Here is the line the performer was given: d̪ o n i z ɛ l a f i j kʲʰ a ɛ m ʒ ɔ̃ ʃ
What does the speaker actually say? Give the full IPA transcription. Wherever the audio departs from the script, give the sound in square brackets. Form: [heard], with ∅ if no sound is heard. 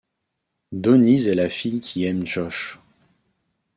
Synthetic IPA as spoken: d̪ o n i z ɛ l a f i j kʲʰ [i] ɛ m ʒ [ɔ] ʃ